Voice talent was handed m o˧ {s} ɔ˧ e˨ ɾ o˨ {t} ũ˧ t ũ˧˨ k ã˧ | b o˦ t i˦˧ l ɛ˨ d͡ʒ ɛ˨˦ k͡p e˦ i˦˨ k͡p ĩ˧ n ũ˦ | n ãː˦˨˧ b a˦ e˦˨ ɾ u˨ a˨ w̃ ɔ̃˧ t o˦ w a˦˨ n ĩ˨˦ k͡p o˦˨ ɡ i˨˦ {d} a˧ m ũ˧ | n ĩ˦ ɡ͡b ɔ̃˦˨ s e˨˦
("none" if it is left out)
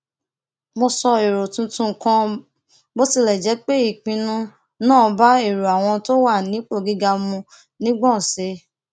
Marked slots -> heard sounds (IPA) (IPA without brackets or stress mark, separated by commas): s, t, ɡ